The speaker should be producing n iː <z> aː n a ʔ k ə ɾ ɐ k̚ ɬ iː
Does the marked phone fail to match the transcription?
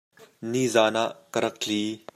no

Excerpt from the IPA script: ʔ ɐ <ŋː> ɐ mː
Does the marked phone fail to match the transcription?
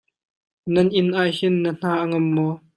yes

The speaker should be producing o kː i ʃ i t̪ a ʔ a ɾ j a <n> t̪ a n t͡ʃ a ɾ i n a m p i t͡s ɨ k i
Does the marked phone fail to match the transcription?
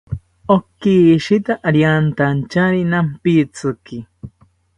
no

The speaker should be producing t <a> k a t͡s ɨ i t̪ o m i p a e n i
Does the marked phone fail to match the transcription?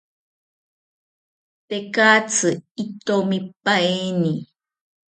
yes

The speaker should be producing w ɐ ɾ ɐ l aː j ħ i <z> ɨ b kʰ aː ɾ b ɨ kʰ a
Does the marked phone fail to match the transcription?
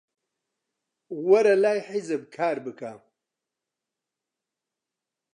no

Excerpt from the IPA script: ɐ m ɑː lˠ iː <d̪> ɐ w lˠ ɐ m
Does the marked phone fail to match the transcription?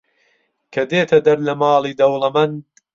no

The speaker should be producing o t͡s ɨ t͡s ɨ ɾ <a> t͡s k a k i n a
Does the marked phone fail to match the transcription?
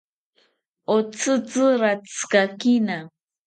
no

